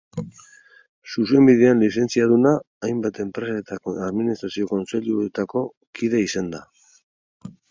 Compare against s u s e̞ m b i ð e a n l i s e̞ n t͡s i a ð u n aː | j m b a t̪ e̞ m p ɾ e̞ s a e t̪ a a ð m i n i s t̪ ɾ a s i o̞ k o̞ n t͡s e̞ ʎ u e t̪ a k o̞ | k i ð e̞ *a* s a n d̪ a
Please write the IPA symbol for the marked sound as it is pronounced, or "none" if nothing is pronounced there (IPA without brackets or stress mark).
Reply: i